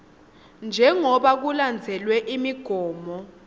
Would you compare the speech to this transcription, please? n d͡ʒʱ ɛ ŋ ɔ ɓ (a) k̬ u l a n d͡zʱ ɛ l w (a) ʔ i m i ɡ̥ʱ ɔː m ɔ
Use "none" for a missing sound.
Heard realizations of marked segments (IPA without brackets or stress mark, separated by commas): a, ɛ